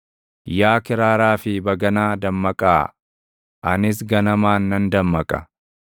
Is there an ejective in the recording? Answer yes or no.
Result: yes